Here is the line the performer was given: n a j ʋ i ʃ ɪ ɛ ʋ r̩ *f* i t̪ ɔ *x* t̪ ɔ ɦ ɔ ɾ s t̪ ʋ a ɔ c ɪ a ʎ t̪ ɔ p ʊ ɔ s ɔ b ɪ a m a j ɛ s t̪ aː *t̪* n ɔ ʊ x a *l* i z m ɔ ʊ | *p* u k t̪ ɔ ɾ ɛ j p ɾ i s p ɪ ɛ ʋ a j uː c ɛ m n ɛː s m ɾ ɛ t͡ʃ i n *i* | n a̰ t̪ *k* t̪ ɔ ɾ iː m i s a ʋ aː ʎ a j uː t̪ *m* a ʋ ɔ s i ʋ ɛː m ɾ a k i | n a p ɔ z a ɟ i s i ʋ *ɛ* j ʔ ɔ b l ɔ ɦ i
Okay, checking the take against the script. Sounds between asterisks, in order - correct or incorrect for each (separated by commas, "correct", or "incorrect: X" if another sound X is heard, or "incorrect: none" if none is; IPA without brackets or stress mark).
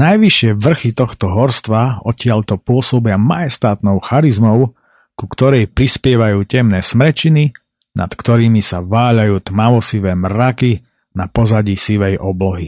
incorrect: x, correct, correct, incorrect: ɾ, incorrect: k, correct, correct, correct, correct